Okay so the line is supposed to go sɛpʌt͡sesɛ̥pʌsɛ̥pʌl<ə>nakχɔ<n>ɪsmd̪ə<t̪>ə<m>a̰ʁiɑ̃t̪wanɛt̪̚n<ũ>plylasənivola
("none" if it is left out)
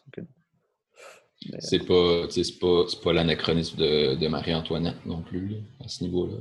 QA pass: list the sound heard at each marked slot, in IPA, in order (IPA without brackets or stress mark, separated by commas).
a, n, d̪, m, ɔ̃